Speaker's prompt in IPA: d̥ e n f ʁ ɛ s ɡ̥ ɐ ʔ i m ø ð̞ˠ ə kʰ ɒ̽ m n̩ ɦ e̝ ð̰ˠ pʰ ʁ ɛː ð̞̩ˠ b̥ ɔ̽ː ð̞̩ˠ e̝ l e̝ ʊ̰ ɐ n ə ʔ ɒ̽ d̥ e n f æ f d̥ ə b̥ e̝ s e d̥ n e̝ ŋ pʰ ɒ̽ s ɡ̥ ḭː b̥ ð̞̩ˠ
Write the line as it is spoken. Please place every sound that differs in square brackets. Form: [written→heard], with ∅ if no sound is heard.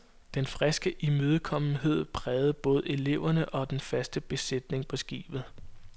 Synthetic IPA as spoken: d̥ e n f ʁ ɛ s ɡ̥ [ɐ→ə] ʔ i m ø ð̞ˠ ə kʰ ɒ̽ m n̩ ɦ e̝ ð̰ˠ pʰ ʁ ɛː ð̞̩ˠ b̥ ɔ̽ː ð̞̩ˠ e̝ l e̝ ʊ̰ ɐ n ə ʔ ɒ̽ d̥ e n f æ [f→s] d̥ ə b̥ e̝ s e d̥ n e̝ ŋ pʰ ɒ̽ s ɡ̥ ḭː b̥ ð̞̩ˠ